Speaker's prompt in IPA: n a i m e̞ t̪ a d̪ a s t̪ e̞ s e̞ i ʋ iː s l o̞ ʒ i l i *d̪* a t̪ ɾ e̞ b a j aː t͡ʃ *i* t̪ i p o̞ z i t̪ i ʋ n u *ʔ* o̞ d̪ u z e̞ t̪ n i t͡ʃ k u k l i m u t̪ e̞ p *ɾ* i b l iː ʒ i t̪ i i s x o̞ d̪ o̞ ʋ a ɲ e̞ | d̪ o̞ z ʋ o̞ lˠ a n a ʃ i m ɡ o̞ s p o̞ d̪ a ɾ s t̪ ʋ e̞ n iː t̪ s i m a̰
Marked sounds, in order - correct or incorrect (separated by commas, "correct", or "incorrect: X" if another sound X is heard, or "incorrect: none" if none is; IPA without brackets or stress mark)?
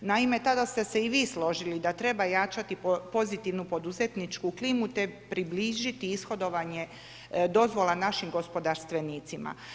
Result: correct, incorrect: a, incorrect: p, correct